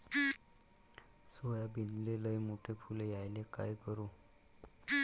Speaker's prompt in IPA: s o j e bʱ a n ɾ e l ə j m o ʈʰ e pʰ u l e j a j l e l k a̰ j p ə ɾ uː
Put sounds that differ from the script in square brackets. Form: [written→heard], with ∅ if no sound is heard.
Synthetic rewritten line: s o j [e→a] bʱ [a→i] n [ɾ→l] e l ə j m o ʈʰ e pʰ u l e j a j l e [l→∅] k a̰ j [p→k] ə ɾ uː